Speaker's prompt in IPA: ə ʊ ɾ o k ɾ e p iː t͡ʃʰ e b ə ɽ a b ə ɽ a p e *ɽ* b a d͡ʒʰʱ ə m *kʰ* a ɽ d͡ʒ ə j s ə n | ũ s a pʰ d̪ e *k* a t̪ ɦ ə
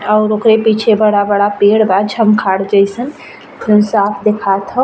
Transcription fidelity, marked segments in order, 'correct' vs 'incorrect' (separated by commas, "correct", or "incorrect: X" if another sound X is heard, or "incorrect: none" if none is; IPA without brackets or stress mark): correct, correct, incorrect: kʰ